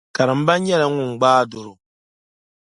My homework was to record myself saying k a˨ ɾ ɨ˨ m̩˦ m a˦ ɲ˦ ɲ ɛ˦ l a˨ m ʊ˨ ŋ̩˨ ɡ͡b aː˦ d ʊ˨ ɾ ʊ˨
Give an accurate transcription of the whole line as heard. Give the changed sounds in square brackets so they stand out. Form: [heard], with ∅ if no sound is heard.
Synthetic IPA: k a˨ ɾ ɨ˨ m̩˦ [b] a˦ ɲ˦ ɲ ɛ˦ l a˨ [ŋ] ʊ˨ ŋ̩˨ ɡ͡b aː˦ d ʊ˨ ɾ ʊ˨